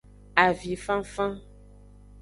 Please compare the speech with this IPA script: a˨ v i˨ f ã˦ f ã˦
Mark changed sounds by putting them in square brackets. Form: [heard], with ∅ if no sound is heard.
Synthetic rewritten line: a˨ v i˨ f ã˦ f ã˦